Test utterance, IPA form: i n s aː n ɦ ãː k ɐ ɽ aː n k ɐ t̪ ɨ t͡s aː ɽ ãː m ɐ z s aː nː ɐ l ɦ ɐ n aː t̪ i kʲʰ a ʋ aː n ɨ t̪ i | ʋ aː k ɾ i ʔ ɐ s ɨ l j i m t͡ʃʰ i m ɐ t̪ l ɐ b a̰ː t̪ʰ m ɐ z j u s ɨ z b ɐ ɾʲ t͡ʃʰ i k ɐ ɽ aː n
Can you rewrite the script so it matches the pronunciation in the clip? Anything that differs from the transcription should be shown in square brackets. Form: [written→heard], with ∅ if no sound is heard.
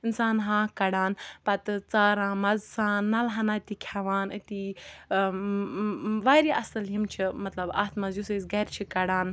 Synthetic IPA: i n s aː n ɦ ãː k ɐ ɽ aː n [k→p] ɐ t̪ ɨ t͡s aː [ɽ→ɾ] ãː m ɐ z s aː nː ɐ l ɦ ɐ n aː t̪ i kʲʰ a ʋ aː n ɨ t̪ i | ʋ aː [k→∅] ɾ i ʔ ɐ s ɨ l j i m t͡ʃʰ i m ɐ t̪ l ɐ b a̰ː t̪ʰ m ɐ z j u s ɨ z [b→ɡ] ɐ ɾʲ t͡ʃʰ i k ɐ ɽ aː n